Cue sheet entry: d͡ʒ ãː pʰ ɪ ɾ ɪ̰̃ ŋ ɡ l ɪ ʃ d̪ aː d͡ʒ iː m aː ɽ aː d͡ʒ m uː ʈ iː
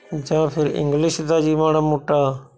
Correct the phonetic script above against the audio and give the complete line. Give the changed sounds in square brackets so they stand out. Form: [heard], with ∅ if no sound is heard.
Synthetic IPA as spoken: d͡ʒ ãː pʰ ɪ ɾ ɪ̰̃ ŋ ɡ l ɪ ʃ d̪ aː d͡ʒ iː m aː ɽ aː [∅] m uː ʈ [aː]